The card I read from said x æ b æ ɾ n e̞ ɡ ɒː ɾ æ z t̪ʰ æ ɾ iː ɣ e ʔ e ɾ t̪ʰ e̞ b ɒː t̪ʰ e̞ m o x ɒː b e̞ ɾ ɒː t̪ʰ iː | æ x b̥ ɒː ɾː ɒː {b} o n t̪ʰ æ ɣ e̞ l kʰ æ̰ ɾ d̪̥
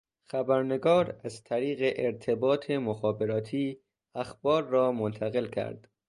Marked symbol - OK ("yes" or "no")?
no